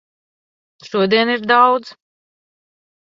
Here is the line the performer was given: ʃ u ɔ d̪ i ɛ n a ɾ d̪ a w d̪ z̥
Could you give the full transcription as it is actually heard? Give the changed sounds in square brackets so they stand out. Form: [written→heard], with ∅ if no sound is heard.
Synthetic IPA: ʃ u ɔ d̪ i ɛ n [a→i] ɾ d̪ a w d̪ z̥